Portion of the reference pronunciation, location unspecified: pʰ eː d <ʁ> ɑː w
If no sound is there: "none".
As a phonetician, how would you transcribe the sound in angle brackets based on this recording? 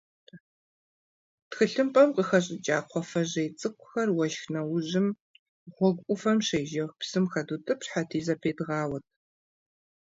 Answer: ʁ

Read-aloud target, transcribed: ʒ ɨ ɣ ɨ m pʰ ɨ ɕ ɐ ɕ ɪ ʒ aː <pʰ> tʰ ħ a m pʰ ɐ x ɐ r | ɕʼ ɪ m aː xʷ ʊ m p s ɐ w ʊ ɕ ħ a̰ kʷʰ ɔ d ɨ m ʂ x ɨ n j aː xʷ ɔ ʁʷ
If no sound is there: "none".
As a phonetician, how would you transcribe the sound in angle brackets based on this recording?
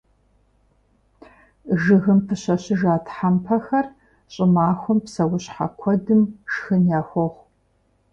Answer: none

